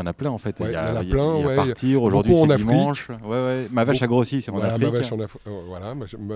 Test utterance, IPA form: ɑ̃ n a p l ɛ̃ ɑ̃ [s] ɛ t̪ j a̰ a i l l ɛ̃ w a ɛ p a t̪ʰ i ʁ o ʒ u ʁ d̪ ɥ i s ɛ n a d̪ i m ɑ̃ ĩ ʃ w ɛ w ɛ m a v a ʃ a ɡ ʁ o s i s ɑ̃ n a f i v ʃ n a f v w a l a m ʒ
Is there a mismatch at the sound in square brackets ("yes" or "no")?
yes